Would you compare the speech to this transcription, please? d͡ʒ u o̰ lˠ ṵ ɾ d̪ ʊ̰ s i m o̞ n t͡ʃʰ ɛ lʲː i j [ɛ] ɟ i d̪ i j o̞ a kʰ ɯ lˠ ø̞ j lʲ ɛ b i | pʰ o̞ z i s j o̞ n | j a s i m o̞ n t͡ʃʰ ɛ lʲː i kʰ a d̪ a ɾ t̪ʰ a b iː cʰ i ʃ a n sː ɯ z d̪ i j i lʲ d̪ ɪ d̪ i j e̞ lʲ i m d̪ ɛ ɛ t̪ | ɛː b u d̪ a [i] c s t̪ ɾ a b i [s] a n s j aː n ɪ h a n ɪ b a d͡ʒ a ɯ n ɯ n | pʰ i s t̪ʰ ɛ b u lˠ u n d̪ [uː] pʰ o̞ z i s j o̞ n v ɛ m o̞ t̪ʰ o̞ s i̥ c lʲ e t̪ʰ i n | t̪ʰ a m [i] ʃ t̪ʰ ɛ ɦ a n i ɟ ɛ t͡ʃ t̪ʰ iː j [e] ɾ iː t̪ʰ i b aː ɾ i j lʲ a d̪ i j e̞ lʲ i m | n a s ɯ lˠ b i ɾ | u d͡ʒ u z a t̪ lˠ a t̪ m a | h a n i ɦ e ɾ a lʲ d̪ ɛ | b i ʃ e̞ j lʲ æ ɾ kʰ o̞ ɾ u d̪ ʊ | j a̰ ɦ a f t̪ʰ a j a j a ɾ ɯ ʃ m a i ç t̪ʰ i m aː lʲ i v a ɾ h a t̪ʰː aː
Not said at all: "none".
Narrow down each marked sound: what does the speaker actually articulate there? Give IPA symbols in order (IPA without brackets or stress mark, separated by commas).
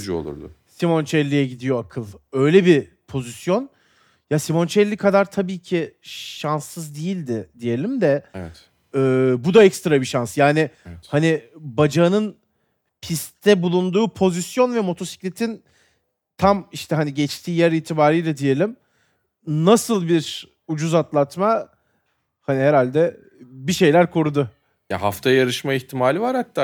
ɛ, ɛ, ʃ, uː, i, æ